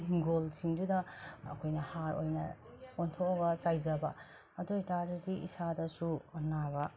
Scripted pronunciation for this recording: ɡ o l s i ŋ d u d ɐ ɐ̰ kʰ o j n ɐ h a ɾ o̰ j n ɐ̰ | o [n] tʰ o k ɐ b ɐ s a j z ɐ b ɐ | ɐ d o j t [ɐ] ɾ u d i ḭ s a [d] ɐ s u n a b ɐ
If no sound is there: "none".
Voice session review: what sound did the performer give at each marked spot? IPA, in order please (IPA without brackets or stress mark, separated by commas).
n, a, d